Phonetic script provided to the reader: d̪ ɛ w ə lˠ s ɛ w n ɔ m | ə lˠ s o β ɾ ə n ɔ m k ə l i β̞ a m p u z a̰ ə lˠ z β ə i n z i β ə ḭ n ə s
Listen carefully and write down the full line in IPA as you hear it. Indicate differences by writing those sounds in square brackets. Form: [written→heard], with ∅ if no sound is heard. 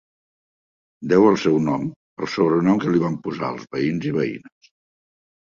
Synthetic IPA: d̪ ɛ w ə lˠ s ɛ w n ɔ m | ə lˠ s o β ɾ ə n ɔ m k ə l i β̞ a m p u z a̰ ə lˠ z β ə i n z i β ə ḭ n ə s